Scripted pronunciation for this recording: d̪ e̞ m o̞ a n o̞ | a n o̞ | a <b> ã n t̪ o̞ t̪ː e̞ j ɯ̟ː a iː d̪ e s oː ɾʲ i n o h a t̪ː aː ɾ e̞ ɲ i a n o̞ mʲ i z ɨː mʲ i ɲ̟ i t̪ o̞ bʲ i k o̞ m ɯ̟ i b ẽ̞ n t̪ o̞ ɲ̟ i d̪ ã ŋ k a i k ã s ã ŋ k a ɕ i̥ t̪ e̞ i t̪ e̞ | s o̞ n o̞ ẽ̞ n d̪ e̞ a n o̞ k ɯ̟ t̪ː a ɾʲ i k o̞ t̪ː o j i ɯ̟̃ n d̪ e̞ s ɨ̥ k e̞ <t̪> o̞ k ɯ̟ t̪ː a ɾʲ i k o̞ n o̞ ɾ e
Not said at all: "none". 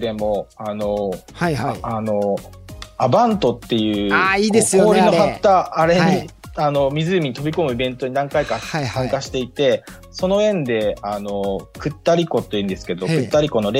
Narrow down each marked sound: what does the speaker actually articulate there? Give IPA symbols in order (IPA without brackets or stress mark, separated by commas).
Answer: b, d̪